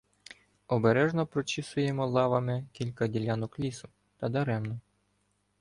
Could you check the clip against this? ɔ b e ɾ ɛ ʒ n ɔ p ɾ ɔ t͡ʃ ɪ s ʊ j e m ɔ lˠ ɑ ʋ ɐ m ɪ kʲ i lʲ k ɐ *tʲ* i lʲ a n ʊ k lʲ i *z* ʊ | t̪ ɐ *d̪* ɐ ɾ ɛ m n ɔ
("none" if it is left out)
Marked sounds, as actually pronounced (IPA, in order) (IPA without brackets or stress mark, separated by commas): dʲ, s, d̪